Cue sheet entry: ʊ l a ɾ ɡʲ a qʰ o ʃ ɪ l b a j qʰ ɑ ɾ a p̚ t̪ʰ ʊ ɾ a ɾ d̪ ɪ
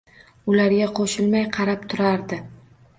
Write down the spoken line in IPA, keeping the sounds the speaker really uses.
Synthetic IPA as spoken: ʊ l a ɾ ɡʲ a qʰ o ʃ ɪ l m a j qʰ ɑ ɾ a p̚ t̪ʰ ʊ ɾ a ɾ d̪ ɪ